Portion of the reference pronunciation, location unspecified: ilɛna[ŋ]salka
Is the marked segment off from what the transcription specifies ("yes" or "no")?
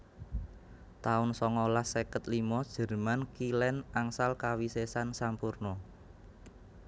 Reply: no